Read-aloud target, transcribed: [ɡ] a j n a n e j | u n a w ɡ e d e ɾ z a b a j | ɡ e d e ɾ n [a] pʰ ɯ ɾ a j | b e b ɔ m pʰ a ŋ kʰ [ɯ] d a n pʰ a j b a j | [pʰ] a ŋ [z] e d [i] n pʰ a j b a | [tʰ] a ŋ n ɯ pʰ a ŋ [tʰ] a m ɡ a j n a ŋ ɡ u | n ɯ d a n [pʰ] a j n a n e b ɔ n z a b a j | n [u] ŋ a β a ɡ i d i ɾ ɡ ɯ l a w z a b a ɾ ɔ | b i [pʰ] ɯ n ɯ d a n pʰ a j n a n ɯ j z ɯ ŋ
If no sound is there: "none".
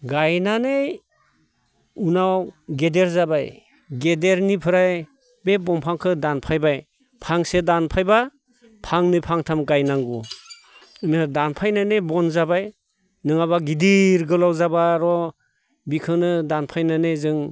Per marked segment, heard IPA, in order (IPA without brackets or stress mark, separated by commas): ɡ, i, ɯ, pʰ, s, a, pʰ, tʰ, pʰ, ɯ, kʰ